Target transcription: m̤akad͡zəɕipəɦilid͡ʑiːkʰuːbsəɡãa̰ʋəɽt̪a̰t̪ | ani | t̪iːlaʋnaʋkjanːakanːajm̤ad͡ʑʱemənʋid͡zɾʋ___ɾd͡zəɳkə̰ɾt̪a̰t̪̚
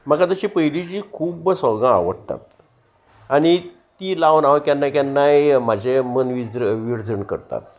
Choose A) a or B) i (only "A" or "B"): B